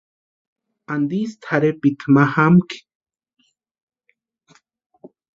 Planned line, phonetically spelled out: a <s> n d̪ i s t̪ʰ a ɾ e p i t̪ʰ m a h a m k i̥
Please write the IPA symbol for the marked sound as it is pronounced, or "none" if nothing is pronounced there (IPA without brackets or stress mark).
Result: none